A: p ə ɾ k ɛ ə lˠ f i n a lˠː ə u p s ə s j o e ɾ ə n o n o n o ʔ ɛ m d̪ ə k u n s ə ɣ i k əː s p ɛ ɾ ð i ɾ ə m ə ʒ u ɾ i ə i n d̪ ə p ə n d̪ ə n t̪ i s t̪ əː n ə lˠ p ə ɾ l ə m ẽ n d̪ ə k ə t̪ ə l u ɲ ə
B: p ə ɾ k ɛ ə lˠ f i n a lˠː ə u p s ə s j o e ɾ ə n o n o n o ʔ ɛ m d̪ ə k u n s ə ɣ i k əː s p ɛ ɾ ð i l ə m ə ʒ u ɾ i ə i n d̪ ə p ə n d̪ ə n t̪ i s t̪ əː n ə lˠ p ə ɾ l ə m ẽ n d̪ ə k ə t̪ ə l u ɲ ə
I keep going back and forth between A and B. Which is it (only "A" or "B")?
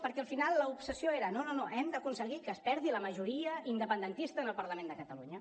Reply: B